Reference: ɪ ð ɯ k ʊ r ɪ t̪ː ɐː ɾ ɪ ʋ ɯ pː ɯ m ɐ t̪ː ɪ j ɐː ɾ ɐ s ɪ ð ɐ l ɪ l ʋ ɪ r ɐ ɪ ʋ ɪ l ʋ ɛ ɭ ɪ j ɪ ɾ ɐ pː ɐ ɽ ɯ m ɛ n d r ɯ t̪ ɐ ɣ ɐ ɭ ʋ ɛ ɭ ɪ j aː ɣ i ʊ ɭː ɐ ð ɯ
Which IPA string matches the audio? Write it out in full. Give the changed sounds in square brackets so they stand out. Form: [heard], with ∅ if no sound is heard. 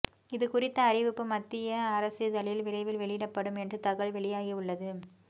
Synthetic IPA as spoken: ɪ ð ɯ k ʊ r ɪ t̪ː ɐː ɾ ɪ ʋ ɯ pː ɯ m ɐ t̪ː ɪ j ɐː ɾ ɐ s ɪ ð ɐ l ɪ l ʋ ɪ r ɐ ɪ ʋ ɪ l ʋ ɛ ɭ ɪ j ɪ [ɽ] ɐ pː ɐ ɽ ɯ m ɛ n d r ɯ t̪ ɐ ɣ ɐ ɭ ʋ ɛ ɭ ɪ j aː ɣ i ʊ ɭː ɐ ð ɯ